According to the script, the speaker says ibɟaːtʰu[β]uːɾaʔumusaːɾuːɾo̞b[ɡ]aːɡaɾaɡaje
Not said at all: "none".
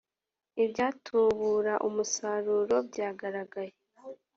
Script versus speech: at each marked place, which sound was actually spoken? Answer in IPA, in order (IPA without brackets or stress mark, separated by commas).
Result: β, ɟ